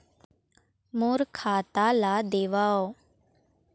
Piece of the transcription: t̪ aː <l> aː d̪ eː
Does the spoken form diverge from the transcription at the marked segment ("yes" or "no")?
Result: no